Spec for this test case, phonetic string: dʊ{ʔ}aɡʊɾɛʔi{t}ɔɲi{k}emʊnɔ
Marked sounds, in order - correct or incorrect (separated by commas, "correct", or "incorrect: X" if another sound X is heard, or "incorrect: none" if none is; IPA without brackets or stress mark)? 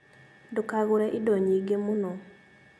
incorrect: k, incorrect: d, incorrect: ɡ